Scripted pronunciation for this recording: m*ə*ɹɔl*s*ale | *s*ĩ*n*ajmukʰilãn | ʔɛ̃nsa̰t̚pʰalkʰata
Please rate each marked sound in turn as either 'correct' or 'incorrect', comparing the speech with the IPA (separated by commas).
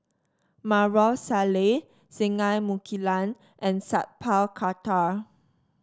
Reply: incorrect, correct, correct, incorrect